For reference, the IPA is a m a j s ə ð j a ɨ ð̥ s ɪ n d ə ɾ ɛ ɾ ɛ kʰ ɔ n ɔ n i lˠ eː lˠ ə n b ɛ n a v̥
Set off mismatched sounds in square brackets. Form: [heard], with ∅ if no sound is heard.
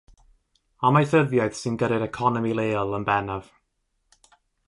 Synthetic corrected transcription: a m a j [θ] ə ð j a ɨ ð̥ s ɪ n [ɡ] ə ɾ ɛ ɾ ɛ kʰ ɔ n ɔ [m] i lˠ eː lˠ ə n b ɛ n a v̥